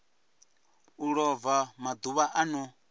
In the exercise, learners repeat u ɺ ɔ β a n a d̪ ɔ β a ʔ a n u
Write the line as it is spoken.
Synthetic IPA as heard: u ɺ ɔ v a m a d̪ u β a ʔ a n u